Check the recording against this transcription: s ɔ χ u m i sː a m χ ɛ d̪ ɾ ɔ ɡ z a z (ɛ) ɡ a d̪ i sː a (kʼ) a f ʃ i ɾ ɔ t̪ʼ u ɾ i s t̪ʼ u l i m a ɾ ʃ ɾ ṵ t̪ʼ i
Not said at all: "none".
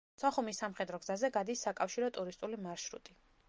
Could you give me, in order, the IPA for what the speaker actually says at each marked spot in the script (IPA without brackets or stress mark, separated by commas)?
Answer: ɛ, kʼ